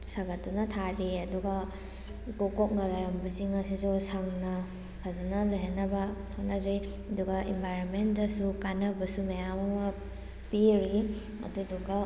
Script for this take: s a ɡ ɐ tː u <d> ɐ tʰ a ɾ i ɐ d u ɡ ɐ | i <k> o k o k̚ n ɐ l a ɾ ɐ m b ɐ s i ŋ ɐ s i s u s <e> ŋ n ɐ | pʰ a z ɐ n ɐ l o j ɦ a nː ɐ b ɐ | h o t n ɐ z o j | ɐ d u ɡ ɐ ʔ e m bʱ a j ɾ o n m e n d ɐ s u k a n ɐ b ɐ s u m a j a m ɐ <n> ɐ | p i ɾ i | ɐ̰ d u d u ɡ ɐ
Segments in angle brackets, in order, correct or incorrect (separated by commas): incorrect, correct, incorrect, incorrect